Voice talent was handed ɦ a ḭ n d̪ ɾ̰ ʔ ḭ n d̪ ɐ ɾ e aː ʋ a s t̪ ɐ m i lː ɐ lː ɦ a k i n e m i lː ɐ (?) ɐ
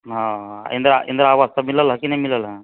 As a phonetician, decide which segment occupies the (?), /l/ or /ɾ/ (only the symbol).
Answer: l